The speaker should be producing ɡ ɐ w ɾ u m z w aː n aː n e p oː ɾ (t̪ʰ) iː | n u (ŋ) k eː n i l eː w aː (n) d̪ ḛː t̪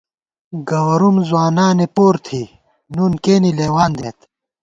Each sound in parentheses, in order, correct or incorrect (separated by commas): correct, incorrect, correct